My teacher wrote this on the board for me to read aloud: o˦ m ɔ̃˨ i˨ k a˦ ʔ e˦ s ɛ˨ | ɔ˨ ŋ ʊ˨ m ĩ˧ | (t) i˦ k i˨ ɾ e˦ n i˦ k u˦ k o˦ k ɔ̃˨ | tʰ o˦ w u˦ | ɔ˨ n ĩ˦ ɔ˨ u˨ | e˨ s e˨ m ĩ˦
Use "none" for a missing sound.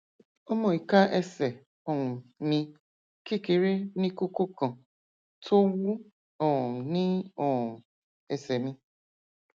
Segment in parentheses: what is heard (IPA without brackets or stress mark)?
k